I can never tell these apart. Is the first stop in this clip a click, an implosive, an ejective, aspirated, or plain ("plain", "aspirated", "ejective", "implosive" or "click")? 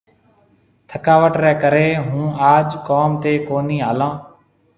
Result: aspirated